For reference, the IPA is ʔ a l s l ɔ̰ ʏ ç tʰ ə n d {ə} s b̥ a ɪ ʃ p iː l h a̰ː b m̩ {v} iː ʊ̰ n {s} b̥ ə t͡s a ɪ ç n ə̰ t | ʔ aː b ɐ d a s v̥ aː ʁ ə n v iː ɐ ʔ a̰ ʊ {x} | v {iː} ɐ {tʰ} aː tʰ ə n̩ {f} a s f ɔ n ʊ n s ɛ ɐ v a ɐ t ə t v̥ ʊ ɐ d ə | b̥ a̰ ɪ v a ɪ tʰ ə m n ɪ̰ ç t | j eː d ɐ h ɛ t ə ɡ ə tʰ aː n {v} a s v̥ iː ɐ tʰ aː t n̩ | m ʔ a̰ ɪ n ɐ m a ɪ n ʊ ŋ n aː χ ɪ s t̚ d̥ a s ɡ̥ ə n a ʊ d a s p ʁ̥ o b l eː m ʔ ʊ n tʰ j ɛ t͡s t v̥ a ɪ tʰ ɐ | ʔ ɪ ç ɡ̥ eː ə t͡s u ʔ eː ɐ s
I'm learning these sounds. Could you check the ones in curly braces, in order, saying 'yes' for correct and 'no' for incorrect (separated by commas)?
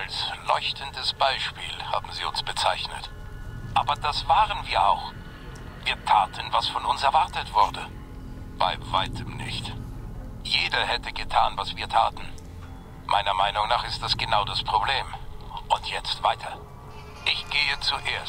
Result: yes, no, yes, yes, yes, yes, no, yes